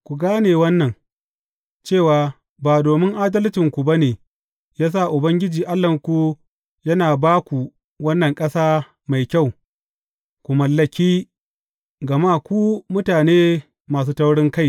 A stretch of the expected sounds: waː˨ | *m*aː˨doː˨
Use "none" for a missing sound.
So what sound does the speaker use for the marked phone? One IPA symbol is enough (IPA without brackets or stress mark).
b